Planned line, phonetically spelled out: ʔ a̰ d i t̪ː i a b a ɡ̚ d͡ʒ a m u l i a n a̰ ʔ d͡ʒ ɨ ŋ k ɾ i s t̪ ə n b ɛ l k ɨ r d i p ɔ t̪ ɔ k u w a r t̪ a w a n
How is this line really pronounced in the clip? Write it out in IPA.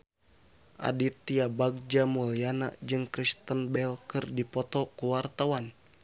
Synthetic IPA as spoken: ʔ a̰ d i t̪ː i a b a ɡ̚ d͡ʒ a m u l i a n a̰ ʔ d͡ʒ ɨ ŋ k ɾ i s t̪ ə n b ɛ l k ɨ r d i p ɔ t̪ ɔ k u w a r t̪ a w a n